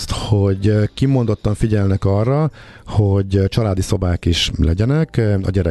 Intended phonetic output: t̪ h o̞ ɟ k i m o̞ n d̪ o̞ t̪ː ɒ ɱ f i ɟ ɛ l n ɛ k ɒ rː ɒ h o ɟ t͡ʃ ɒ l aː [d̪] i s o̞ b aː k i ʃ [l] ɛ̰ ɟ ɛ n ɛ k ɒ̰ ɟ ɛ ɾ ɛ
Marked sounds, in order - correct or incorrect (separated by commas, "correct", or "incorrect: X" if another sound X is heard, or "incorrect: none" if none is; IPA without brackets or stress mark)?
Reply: correct, correct